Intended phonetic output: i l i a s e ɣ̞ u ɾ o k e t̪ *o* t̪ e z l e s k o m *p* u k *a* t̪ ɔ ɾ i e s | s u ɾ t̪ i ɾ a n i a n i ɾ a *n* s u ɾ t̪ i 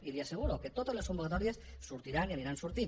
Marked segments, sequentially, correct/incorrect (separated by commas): correct, incorrect, correct, correct